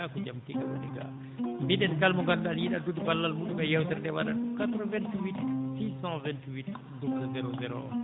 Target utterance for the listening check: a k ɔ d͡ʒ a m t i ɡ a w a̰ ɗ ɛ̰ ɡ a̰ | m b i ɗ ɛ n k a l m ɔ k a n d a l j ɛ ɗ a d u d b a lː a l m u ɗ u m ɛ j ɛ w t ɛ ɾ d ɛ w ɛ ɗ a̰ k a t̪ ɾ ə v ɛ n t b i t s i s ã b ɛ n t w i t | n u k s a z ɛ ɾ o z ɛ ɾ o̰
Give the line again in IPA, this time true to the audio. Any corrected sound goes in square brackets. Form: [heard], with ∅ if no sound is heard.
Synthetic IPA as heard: a k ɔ d͡ʒ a m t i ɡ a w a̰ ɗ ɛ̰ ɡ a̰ | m b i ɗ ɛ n k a l m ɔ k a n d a l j [i] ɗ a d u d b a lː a l m u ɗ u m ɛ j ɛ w t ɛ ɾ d ɛ w [a] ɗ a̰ k a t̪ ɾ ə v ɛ n t [w] i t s i s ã [v] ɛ n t w i t | [d] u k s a z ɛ ɾ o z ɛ ɾ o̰